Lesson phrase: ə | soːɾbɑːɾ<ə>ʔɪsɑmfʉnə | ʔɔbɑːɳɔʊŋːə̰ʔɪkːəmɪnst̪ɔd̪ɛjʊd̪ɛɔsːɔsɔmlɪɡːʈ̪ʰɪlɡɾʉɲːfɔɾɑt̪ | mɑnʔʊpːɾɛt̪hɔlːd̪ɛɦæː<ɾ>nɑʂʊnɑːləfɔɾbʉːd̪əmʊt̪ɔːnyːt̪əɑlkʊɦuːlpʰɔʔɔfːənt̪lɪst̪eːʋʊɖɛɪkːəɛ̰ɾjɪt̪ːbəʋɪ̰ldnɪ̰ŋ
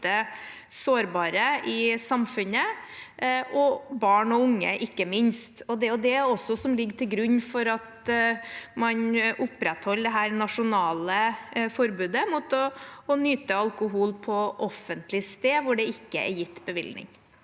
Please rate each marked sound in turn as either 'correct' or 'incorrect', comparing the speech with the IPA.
correct, correct

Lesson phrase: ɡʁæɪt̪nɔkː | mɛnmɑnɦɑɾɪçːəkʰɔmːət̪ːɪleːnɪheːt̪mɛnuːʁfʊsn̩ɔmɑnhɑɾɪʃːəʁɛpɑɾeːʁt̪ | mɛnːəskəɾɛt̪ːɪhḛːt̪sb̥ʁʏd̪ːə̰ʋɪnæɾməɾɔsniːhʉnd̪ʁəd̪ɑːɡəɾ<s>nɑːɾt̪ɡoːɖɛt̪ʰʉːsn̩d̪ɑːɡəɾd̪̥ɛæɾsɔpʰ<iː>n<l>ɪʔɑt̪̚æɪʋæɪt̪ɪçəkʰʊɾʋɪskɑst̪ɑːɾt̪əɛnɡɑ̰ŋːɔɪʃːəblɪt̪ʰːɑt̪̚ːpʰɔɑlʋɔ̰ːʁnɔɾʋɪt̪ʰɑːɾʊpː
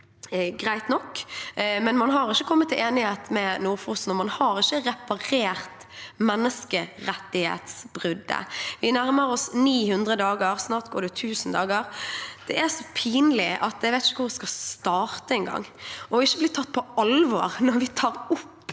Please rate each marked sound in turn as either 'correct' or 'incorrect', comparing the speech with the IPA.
correct, correct, correct

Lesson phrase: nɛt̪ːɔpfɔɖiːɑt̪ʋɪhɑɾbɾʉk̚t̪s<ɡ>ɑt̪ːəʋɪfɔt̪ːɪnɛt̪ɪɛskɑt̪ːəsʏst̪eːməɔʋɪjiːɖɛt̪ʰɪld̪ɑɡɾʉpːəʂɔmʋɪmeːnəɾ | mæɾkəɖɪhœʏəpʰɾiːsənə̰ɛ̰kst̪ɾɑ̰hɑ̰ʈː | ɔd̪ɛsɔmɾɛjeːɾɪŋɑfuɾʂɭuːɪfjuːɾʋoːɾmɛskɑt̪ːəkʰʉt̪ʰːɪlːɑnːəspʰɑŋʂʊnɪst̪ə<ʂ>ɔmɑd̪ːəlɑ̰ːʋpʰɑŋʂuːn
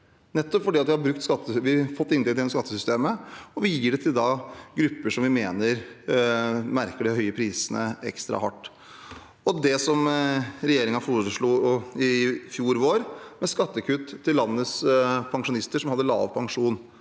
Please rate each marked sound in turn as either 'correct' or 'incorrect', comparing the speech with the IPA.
incorrect, correct

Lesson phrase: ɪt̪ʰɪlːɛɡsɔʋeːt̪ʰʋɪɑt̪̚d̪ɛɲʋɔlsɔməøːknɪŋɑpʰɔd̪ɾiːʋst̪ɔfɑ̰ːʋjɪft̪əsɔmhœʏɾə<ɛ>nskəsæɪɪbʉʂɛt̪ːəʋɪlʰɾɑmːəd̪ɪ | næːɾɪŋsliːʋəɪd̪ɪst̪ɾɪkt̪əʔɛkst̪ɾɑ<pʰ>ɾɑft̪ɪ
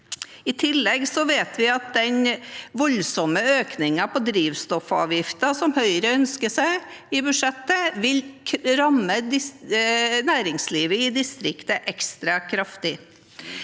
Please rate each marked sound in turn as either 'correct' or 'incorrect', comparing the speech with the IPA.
incorrect, incorrect

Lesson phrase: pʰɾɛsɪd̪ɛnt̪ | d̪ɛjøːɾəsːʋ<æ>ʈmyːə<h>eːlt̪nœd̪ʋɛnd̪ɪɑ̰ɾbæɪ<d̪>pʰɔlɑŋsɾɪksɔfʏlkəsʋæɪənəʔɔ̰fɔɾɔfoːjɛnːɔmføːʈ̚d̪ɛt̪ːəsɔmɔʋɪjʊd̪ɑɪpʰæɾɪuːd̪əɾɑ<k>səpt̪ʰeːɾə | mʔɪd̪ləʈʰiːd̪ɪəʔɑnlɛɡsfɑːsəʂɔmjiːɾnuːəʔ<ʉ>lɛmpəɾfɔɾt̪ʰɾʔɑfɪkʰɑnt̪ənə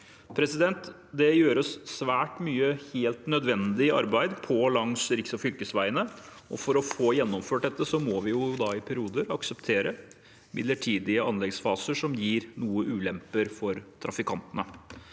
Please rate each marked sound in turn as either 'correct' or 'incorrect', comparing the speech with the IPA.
incorrect, correct, correct, correct, incorrect

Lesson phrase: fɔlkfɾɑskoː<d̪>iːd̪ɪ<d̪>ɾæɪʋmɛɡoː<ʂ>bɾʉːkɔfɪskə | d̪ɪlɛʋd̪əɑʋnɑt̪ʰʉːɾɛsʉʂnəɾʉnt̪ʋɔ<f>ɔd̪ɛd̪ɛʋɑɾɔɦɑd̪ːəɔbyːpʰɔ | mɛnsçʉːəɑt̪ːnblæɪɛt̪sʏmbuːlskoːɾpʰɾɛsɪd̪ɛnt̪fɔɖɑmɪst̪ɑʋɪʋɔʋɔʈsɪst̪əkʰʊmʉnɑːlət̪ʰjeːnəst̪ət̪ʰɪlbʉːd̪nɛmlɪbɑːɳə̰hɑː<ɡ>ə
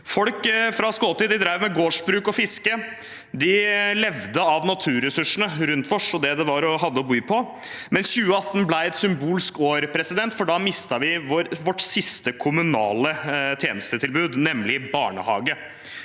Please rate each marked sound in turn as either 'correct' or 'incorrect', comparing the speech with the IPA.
incorrect, correct, correct, incorrect, correct

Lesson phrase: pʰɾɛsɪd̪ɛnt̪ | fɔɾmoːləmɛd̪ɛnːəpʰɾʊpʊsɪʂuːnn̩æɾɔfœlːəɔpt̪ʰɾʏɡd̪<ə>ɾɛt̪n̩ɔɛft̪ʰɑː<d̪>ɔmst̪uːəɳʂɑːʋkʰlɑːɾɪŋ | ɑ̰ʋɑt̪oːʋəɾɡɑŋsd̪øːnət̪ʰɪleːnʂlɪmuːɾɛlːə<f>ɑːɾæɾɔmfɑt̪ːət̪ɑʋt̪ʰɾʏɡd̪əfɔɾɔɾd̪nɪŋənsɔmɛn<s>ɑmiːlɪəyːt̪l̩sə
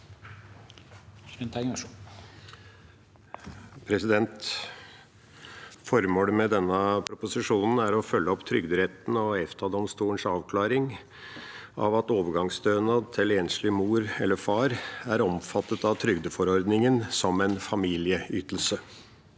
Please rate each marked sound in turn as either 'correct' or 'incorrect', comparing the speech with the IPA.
correct, correct, correct, incorrect

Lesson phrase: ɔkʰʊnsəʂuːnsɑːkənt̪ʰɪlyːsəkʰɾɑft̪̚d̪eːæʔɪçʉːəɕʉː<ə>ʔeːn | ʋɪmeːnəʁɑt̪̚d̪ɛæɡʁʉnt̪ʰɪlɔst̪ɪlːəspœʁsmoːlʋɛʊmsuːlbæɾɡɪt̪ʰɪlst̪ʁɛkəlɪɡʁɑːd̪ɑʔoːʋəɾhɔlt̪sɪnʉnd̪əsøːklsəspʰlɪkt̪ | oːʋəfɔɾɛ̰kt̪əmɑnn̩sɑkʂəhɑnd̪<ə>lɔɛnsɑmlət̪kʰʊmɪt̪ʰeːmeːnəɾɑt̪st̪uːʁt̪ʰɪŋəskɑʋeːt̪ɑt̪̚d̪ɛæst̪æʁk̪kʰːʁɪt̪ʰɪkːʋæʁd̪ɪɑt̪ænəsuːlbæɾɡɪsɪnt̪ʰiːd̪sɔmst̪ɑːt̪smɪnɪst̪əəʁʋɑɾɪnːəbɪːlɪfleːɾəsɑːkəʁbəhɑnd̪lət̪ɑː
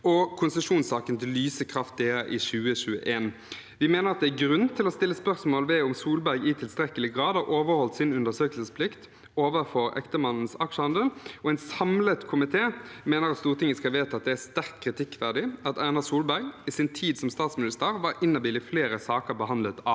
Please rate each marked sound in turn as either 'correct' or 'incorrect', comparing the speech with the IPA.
correct, correct

